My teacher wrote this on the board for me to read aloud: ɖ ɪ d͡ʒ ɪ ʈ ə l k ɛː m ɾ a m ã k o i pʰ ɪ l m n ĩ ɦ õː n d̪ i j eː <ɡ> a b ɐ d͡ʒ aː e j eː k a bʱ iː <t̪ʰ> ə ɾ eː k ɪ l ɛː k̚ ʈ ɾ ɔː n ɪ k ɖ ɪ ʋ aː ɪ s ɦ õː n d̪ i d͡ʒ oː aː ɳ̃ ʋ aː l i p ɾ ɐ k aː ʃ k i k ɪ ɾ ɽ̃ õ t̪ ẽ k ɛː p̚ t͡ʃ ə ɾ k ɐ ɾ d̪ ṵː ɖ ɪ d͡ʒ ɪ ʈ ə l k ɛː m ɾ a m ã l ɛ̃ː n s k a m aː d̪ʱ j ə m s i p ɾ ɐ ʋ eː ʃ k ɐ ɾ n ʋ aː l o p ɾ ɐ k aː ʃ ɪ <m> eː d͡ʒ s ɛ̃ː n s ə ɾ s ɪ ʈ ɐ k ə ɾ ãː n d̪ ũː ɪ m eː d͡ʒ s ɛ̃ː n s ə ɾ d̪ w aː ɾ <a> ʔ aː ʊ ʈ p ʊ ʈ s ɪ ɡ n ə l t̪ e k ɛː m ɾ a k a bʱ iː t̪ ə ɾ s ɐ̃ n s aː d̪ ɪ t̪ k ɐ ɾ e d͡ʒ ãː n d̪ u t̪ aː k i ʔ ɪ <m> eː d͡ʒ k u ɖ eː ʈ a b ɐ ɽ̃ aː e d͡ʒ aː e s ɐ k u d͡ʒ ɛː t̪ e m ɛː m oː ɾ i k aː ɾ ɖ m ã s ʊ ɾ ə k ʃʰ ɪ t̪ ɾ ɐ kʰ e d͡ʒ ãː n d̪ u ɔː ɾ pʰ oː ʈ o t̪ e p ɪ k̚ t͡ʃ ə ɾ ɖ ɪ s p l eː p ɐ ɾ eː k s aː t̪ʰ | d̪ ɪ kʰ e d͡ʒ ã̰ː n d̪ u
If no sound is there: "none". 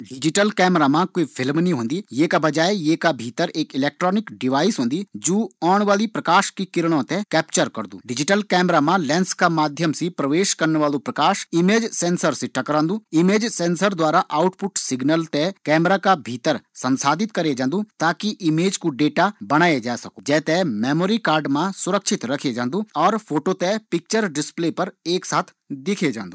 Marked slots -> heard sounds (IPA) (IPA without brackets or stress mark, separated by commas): k, t̪, m, a, m